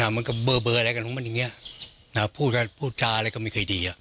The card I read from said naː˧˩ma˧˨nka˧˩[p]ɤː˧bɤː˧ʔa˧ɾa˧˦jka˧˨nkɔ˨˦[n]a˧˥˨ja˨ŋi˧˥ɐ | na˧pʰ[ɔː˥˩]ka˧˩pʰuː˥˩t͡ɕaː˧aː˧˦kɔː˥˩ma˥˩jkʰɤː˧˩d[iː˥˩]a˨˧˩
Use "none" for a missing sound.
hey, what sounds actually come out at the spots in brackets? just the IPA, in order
b, m, uː˥˩, iː˨˧

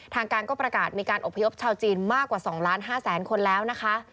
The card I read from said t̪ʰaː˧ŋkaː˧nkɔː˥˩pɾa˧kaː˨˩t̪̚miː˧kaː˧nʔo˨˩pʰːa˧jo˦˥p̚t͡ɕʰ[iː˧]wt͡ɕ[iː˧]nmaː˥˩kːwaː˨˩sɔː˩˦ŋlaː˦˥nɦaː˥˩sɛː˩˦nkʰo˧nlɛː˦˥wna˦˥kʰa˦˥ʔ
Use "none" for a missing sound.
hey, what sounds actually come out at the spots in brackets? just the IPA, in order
aː˧, iː˧

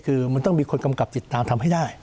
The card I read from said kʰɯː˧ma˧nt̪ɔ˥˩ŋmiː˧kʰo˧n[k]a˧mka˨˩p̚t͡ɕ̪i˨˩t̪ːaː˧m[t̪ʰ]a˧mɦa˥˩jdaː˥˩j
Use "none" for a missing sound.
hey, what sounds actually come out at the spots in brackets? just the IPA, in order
k, t̪ʰ

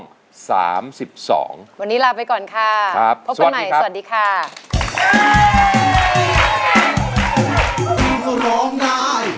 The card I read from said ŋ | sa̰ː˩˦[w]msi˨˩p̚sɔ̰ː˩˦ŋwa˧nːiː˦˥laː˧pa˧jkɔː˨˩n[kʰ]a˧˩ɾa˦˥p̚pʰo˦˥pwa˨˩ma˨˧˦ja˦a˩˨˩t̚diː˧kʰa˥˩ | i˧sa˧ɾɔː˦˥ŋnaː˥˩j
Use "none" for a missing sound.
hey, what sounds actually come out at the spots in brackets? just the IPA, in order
none, kʰ

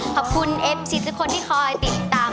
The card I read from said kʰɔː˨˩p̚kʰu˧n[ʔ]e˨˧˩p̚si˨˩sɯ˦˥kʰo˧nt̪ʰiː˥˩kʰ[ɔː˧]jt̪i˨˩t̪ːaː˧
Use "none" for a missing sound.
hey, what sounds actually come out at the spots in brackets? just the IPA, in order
ʔ, ɔː˧

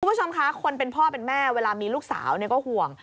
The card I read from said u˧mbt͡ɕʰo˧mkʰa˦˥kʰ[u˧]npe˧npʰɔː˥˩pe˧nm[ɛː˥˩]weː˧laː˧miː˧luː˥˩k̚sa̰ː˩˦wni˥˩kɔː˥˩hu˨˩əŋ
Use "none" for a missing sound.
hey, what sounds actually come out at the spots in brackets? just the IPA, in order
o˧, ɛː˥˩

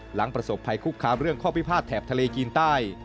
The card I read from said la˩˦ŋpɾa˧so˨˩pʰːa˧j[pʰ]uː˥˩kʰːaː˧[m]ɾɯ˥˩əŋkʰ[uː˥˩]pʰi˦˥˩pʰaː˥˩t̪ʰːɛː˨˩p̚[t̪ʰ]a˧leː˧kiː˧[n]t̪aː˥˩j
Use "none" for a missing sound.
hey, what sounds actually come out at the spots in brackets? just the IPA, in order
kʰ, m, ɔː˥˩, t̪ʰ, n

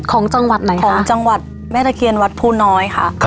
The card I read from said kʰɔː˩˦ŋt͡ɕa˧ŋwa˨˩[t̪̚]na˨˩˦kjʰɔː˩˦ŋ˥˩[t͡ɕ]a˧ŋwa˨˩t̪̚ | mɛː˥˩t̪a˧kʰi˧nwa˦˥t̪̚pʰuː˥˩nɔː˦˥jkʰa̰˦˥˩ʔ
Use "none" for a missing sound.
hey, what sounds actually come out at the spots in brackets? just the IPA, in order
t̪̚, t͡ɕ

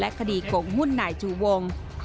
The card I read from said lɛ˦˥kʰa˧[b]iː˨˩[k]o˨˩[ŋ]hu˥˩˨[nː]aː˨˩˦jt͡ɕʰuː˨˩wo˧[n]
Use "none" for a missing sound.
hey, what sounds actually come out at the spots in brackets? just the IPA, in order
d, k, ŋ, nː, ŋ

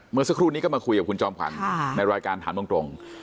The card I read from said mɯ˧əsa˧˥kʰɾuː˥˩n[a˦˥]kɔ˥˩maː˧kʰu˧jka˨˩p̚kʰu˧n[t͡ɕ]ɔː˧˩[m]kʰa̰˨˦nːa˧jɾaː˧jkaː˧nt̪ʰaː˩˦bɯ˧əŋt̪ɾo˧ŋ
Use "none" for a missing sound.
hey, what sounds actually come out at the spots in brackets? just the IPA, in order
i˦˥, t͡ɕ, m

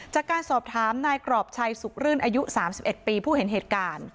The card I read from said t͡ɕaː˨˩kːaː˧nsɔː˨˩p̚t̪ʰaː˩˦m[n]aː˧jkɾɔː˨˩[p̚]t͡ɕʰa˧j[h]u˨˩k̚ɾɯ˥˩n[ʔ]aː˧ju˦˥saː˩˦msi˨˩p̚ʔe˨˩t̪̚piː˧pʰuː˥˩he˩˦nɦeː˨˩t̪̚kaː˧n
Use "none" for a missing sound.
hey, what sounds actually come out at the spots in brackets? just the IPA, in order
n, p̚, s, ʔ

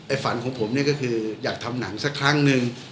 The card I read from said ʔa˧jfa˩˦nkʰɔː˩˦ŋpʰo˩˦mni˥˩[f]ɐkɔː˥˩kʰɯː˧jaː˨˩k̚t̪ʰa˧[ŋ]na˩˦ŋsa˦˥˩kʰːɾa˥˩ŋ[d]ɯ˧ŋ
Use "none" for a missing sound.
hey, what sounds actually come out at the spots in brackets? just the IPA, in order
none, m, n

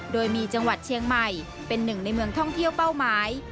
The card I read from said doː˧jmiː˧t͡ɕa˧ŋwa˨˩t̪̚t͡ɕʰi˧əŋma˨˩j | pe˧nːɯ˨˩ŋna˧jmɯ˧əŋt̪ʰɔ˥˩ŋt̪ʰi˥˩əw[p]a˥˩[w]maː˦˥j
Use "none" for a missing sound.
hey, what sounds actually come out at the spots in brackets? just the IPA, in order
p, w

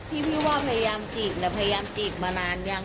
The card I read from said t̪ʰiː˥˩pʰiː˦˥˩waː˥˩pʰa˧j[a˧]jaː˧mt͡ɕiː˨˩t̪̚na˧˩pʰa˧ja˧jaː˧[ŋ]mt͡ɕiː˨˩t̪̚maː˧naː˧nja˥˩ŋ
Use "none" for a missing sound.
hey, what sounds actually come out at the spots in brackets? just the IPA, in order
a˧, none

